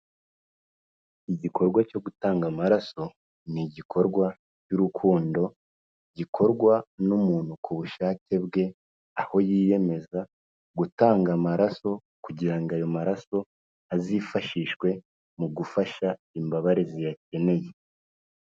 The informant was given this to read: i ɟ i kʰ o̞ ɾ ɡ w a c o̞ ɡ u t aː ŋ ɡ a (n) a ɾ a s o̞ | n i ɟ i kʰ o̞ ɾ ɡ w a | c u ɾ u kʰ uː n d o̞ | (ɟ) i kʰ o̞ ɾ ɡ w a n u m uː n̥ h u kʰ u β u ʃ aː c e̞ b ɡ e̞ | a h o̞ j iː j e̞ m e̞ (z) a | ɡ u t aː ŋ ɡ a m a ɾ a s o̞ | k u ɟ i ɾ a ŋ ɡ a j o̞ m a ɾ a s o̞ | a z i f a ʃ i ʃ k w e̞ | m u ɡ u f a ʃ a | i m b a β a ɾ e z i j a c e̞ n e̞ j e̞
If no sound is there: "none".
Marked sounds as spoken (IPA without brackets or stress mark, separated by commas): m, ɟ, z